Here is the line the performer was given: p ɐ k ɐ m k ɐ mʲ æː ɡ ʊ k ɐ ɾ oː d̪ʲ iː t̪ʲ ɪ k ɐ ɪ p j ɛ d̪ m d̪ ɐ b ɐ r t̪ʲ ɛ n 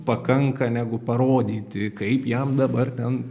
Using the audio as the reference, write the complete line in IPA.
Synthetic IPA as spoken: p ɐ k ɐ ŋ k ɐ nʲ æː ɡ ʊ p ɐ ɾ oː d̪ʲ iː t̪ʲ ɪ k ɐ ɪ p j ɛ m d̪ ɐ b ɐ r t̪ʲ ɛ n